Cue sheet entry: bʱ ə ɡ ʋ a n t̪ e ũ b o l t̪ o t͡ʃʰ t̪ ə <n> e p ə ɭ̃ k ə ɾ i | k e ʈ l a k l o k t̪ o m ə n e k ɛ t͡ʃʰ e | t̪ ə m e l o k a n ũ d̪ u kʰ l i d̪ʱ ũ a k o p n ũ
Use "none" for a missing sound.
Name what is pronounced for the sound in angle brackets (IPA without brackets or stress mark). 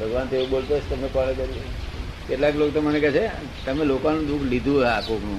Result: m